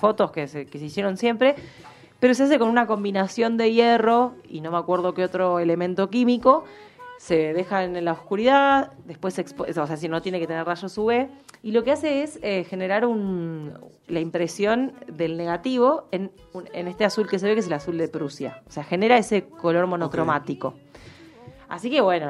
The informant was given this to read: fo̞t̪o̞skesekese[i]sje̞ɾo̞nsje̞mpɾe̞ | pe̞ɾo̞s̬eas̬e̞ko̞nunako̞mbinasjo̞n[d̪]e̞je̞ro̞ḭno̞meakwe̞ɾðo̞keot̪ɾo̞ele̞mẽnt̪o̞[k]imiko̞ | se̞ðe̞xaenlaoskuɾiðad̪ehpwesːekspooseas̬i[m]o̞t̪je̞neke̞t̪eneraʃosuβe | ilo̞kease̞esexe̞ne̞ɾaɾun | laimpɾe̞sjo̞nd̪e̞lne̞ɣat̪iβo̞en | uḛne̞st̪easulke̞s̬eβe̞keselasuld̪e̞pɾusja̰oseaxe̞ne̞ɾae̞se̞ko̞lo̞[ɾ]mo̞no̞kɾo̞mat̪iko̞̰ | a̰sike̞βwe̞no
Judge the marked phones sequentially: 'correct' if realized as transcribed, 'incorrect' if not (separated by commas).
correct, correct, correct, incorrect, correct